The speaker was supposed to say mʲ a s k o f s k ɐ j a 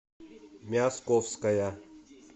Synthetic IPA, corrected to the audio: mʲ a s k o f s k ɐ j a